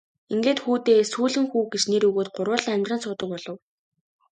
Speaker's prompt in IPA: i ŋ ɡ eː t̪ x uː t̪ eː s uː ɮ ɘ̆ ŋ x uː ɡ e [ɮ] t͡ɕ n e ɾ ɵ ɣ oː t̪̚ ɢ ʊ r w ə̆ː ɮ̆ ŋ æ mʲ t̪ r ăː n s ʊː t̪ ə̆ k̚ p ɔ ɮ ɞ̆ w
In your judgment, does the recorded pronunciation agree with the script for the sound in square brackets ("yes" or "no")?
no